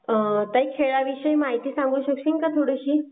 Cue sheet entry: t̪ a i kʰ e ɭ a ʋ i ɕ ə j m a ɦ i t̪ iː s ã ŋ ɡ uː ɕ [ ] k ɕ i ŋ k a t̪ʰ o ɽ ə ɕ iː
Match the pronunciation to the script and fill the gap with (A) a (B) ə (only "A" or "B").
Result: B